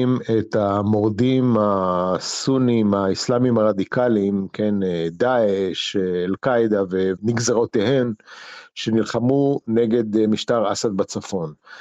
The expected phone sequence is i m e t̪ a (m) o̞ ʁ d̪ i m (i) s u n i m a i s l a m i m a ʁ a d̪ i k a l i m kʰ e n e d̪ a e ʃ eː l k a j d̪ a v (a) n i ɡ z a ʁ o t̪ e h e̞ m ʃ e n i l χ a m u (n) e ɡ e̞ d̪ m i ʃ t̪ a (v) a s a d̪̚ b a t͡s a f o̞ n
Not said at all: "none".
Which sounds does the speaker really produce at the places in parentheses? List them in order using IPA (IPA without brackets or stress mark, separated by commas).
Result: m, a, e, n, ʁ